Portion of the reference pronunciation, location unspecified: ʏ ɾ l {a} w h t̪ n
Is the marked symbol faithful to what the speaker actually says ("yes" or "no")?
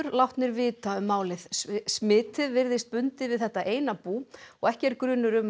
yes